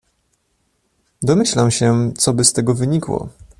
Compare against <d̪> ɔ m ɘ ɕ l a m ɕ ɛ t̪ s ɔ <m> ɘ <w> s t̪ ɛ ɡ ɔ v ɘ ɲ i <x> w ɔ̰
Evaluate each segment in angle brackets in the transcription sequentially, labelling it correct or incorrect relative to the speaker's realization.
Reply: correct, incorrect, incorrect, incorrect

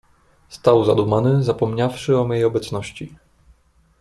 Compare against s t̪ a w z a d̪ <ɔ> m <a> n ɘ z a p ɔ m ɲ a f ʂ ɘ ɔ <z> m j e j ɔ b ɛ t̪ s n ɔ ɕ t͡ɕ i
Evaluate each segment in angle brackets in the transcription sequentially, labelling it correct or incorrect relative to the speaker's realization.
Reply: incorrect, correct, incorrect

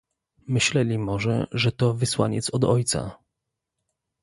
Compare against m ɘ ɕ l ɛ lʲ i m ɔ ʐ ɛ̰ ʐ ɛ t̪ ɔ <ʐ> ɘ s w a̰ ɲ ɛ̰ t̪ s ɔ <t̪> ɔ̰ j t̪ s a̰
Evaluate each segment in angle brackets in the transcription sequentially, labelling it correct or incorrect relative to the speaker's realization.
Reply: incorrect, incorrect

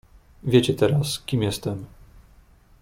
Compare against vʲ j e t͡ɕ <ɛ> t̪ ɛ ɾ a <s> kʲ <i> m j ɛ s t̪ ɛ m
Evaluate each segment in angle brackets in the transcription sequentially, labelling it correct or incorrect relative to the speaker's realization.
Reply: correct, correct, correct

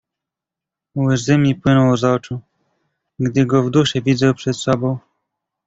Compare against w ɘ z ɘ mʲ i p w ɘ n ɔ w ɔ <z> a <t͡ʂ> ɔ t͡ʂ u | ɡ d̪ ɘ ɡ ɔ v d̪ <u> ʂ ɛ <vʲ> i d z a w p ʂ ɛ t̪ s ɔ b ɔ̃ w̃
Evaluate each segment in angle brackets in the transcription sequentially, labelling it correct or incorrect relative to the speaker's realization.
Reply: correct, incorrect, correct, correct

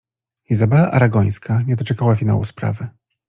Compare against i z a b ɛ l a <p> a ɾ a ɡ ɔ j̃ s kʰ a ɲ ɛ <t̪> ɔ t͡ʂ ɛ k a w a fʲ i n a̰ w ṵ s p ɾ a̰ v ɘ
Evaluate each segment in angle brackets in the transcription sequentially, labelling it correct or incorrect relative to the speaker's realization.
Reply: incorrect, incorrect

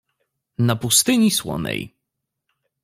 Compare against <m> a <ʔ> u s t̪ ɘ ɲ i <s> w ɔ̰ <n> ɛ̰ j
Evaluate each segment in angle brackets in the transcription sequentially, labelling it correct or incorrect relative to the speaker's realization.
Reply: incorrect, incorrect, correct, correct

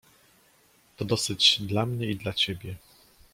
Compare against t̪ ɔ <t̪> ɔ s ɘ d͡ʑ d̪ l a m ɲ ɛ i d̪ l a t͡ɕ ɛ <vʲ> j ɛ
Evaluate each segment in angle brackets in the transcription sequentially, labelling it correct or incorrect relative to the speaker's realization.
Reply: incorrect, incorrect

